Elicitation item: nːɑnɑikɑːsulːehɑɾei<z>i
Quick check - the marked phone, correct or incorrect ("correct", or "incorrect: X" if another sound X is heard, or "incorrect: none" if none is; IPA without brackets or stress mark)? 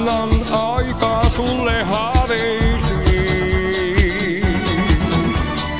incorrect: s